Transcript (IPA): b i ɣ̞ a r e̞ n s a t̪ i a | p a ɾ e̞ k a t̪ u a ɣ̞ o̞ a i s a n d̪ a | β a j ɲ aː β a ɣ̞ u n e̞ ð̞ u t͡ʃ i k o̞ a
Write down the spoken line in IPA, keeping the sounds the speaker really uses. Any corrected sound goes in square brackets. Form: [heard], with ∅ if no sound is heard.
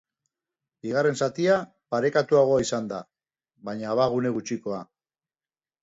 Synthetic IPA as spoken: b i ɣ̞ a r e̞ n s a t̪ i a | p a ɾ e̞ k a t̪ u a ɣ̞ o̞ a i s a n d̪ a | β a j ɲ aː β a ɣ̞ u n e̞ [ɣ̞] u t͡ʃ i k o̞ a